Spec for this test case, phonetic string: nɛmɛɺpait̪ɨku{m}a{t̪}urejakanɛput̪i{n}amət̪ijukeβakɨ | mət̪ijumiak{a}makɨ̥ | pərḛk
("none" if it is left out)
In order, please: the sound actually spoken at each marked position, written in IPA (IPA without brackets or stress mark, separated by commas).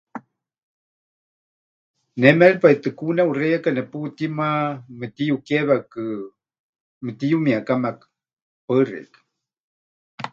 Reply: n, none, m, a